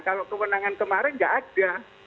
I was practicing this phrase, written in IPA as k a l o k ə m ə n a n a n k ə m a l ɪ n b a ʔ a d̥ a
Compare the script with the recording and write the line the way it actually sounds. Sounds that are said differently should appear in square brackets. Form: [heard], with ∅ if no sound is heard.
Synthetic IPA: k a l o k ə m ə n a [ŋ] a n k ə m a [ɾ] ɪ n [ɡ] a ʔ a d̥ a